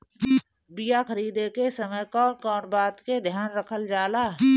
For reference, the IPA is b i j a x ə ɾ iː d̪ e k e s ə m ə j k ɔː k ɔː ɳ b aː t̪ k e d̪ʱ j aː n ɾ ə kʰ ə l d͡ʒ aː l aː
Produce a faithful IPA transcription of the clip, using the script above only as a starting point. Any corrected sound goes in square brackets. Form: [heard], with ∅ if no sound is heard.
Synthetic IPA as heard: b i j a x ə ɾ iː d̪ e k e s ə m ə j k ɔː k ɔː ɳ b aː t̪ k e d̪ʱ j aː n ɾ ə kʰ ə l d͡ʒ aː l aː